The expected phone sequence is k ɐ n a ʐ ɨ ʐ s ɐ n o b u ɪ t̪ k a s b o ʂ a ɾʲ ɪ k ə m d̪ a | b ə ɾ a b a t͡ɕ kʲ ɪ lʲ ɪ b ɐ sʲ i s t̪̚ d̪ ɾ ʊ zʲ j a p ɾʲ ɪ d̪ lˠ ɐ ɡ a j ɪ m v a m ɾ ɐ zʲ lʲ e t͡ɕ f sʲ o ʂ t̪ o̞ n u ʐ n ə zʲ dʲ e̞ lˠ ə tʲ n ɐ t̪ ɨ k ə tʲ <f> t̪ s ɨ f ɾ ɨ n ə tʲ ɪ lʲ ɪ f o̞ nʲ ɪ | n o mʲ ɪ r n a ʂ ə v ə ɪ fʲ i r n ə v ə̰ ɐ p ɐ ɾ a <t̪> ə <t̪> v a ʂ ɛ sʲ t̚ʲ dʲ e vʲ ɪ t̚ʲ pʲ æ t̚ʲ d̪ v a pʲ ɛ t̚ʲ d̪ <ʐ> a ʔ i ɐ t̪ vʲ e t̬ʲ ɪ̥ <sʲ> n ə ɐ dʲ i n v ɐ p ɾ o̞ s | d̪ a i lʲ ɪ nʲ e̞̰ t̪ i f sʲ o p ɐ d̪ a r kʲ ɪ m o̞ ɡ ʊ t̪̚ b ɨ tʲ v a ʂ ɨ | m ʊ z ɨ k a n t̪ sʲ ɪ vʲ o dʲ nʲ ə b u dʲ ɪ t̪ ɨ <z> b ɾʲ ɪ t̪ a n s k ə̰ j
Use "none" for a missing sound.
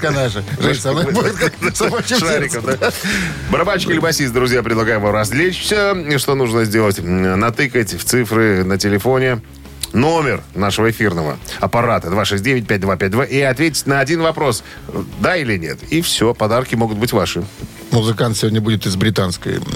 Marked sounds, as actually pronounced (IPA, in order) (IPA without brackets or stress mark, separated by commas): f, t̪, d̪, v, tʲ, z